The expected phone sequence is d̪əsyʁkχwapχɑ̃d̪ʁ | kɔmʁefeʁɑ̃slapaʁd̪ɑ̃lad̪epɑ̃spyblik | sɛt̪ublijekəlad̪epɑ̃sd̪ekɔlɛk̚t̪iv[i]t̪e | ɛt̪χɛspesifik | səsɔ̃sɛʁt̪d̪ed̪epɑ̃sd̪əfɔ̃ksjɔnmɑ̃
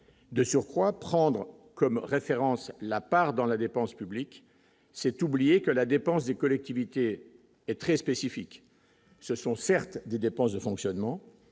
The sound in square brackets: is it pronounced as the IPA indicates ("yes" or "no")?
yes